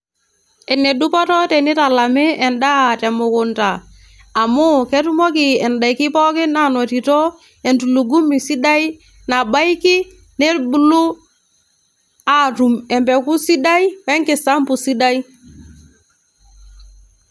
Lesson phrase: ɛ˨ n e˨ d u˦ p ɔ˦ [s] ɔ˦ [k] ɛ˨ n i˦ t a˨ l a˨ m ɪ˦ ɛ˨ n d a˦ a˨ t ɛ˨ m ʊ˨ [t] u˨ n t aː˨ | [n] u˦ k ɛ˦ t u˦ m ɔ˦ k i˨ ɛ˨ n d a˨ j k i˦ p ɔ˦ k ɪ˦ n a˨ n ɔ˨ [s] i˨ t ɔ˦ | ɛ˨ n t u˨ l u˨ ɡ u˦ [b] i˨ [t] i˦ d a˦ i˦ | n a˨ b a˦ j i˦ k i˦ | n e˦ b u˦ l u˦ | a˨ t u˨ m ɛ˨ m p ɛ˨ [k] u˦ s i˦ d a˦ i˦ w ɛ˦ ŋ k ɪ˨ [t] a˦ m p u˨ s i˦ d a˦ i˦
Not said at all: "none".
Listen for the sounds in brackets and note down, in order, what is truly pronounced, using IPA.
t, t, k, m, t, m, s, k, s

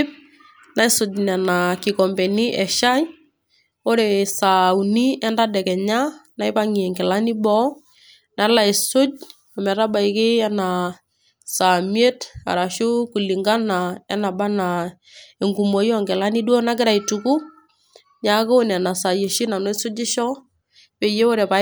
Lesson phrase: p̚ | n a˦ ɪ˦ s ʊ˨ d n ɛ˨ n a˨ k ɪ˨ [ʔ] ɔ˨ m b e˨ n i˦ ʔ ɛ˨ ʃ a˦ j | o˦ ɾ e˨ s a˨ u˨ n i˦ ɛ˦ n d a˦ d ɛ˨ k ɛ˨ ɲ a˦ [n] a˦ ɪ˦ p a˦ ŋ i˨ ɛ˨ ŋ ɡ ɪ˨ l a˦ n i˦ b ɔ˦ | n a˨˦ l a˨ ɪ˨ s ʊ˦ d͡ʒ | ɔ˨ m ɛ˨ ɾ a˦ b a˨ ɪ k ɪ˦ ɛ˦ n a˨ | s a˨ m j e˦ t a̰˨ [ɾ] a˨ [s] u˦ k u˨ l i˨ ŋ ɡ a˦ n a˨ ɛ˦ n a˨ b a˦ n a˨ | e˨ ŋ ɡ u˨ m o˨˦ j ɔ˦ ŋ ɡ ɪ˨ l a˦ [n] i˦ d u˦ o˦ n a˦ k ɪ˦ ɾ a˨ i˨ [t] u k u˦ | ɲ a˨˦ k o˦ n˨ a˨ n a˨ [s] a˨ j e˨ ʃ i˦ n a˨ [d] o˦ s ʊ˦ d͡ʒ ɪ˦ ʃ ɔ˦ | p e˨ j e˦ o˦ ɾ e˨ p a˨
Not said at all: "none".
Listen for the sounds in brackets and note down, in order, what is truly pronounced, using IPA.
k, n, ɾ, ʃ, n, t, s, n

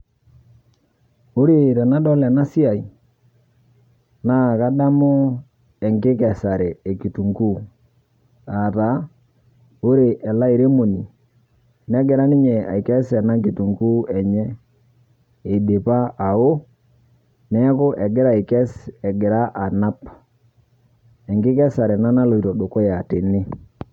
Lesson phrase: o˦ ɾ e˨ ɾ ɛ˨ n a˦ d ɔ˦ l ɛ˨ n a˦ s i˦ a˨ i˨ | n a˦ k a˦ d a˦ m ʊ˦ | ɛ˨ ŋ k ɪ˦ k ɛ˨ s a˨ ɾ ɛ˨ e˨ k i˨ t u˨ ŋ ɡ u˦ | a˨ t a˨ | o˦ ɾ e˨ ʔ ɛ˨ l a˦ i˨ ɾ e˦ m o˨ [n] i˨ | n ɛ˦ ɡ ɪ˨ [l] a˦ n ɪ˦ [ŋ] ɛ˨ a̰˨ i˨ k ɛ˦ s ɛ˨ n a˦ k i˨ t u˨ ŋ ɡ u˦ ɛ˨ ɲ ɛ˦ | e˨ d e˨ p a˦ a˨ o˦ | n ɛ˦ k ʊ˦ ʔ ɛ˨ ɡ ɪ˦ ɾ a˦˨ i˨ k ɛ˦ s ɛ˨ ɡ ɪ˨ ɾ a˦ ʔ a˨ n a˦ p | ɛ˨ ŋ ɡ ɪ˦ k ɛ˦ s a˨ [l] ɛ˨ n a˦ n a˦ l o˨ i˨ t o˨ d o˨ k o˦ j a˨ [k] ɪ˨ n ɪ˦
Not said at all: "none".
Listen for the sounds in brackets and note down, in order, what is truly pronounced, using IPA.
n, ɾ, ɲ, ɾ, t

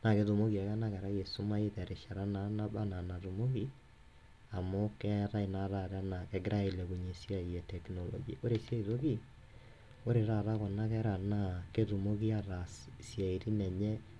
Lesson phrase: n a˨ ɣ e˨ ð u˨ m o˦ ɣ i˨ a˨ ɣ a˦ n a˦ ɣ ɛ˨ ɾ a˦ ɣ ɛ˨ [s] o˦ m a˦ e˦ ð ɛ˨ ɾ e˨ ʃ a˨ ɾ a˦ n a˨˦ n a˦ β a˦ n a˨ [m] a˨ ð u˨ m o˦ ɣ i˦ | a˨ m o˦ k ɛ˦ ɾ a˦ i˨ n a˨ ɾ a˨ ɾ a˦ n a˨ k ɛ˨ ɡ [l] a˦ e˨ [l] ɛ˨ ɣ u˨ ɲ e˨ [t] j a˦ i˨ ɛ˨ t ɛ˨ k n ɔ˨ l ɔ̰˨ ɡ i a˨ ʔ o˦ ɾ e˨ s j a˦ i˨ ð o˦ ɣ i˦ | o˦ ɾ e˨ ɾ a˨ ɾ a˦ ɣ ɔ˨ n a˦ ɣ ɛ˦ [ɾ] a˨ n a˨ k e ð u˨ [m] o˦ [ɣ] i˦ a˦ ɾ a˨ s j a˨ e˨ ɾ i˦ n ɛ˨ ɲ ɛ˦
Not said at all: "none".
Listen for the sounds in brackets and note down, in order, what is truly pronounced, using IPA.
s, n, ɾ, l, s, ɾ, m, ɣ

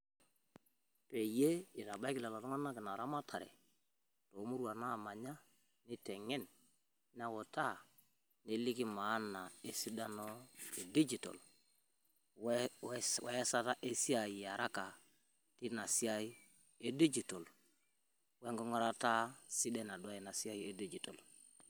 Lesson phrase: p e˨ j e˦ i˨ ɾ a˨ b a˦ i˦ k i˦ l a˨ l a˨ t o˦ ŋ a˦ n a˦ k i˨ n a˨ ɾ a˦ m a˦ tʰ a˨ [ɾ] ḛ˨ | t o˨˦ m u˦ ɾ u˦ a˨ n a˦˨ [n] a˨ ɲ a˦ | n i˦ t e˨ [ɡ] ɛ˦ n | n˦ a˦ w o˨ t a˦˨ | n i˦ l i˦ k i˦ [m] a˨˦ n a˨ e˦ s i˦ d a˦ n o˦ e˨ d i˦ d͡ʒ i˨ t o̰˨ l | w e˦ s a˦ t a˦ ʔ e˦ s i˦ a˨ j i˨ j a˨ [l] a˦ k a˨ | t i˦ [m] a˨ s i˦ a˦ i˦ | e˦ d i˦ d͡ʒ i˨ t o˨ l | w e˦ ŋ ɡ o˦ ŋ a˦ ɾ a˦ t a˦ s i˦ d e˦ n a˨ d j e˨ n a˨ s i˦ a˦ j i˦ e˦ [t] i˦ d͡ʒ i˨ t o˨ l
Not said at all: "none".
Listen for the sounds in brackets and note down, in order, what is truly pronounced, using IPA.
ɾ, m, ŋ, m, ɾ, n, d

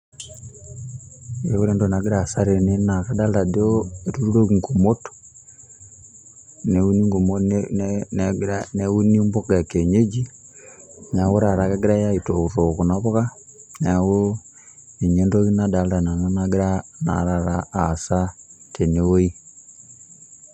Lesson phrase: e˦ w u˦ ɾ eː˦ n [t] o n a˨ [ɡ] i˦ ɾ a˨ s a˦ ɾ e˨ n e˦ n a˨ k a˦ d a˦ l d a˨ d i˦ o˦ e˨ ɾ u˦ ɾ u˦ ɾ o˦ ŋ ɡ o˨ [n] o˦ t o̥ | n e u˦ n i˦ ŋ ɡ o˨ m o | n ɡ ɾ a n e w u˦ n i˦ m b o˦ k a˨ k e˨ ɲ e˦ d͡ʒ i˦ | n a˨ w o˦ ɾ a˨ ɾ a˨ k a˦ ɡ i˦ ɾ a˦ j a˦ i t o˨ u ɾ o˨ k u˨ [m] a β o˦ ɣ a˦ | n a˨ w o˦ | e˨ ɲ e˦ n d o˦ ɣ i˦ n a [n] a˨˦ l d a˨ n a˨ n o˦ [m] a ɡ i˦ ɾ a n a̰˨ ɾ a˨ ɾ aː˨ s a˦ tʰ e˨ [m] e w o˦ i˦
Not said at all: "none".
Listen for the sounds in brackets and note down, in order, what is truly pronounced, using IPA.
d, ɡ, m, n, d, n, n

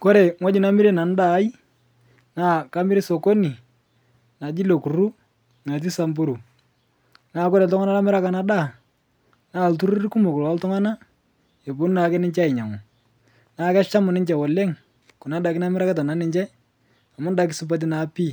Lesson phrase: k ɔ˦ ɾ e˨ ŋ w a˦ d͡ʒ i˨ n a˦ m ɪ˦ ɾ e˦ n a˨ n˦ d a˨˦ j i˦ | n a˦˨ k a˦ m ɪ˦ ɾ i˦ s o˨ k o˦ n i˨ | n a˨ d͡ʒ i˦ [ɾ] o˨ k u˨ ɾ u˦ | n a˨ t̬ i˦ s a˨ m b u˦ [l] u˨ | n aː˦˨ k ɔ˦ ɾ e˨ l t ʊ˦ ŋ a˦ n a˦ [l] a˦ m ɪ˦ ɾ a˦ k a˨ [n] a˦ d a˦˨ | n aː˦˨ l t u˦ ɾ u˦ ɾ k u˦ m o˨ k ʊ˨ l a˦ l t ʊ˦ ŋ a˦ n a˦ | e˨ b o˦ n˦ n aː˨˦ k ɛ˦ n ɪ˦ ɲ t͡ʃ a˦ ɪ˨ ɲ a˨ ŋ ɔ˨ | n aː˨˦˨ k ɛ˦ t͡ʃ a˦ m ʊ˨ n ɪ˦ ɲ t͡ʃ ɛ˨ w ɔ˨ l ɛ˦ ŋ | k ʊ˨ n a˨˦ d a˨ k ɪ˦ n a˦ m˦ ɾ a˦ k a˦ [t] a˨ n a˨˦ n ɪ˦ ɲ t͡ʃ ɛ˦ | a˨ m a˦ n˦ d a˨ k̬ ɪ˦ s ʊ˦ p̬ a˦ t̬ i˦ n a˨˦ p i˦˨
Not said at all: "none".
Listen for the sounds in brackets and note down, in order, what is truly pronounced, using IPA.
l, ɾ, l, n, t

